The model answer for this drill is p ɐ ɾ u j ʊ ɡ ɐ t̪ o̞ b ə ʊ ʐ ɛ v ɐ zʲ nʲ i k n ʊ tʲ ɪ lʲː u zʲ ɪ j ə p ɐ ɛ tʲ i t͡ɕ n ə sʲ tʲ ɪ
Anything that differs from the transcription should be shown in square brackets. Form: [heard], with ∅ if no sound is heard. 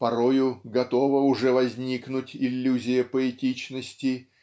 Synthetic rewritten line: p ɐ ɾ [o] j ʊ ɡ ɐ t̪ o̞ [v] ə ʊ ʐ ɛ v ɐ zʲ nʲ i k n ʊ tʲ ɪ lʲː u zʲ ɪ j ə p [ə] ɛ tʲ i t͡ɕ n ə sʲ tʲ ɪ